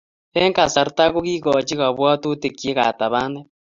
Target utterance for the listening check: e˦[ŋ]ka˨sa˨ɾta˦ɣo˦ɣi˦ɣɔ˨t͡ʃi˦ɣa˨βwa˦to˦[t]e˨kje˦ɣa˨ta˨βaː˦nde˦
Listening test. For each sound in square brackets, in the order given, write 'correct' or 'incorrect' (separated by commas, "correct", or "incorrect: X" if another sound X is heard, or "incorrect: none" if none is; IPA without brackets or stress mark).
correct, correct